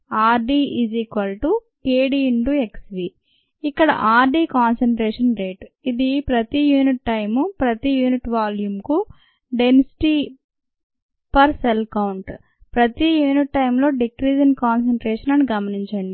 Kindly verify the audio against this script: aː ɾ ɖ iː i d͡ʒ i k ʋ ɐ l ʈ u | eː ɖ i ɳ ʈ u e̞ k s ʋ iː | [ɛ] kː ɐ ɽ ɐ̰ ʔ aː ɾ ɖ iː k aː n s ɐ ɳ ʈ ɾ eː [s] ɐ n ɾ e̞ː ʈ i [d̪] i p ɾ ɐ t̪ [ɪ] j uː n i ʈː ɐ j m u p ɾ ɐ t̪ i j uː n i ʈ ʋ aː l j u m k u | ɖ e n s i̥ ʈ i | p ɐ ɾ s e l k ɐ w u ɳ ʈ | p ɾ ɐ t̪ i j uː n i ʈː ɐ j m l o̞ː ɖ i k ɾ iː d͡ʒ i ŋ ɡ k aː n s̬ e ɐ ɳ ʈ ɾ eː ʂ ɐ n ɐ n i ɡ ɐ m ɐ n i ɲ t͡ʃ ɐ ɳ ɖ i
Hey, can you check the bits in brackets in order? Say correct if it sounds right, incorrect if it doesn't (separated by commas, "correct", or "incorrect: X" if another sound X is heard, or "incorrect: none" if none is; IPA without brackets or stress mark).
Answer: incorrect: i, incorrect: ʂ, correct, incorrect: i